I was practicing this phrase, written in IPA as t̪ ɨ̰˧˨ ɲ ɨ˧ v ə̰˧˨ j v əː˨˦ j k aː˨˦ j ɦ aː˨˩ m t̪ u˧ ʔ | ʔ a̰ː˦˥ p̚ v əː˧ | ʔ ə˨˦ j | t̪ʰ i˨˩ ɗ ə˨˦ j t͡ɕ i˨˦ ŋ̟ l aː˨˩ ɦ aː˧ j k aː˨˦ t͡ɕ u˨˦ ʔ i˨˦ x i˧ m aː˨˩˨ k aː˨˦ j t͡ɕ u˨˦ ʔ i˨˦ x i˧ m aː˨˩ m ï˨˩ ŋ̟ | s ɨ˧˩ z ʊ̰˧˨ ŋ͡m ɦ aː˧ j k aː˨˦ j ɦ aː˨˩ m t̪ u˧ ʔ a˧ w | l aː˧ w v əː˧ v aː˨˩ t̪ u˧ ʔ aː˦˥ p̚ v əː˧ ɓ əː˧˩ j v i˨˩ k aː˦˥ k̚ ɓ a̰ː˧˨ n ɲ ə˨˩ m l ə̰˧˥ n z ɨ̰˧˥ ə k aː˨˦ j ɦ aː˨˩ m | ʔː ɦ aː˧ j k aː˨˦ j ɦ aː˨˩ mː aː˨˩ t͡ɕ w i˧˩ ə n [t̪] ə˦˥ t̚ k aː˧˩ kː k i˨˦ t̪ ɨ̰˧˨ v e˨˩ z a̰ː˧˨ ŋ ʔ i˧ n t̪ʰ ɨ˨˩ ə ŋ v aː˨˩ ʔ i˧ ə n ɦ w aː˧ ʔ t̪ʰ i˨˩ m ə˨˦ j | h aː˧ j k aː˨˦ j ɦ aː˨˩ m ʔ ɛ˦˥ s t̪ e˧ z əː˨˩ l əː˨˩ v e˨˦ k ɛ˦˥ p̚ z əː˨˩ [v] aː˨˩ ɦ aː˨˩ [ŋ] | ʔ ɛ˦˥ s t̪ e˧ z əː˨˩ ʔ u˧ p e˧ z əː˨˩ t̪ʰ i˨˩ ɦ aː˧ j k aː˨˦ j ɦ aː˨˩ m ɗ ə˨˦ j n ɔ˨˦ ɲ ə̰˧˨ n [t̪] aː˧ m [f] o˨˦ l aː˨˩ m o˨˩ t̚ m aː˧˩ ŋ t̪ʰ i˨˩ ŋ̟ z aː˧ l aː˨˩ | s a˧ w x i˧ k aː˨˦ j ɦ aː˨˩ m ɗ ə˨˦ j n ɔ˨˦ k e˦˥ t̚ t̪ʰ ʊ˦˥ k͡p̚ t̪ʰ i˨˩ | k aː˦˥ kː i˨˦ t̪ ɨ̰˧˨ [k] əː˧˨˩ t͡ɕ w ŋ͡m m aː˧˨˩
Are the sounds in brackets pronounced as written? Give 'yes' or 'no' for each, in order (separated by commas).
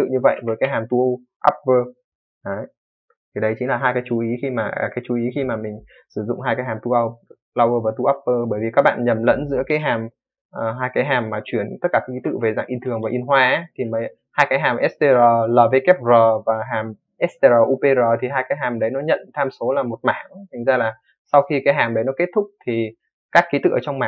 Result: yes, yes, no, no, no, no